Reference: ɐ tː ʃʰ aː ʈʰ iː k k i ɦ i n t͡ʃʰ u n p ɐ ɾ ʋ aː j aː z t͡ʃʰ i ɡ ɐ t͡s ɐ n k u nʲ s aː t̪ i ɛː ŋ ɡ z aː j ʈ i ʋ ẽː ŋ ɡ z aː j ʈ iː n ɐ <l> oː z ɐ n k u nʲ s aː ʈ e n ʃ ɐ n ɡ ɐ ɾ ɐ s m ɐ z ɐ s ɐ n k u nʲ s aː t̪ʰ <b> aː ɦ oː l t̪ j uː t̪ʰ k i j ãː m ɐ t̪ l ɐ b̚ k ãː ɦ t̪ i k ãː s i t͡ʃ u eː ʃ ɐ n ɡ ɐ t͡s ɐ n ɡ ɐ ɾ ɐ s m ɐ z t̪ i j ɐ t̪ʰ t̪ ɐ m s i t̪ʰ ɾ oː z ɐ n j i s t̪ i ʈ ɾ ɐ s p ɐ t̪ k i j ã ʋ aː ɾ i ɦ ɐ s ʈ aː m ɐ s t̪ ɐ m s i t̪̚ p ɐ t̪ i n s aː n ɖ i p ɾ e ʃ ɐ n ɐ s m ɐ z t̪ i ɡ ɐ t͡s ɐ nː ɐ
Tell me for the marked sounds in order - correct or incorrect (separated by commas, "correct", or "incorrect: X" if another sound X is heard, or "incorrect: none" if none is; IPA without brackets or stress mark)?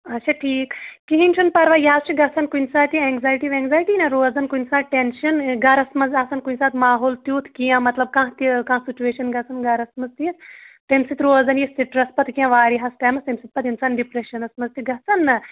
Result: incorrect: ɾ, incorrect: m